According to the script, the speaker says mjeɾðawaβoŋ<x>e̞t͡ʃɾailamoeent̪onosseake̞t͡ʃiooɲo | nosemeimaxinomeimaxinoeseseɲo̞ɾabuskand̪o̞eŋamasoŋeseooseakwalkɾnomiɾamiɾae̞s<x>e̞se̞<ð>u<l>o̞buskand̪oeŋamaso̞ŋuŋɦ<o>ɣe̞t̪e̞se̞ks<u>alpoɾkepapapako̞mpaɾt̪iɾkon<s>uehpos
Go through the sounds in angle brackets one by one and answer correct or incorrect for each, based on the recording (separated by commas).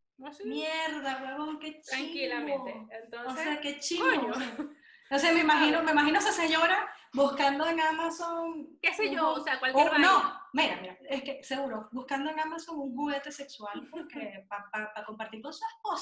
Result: incorrect, incorrect, incorrect, incorrect, incorrect, incorrect, correct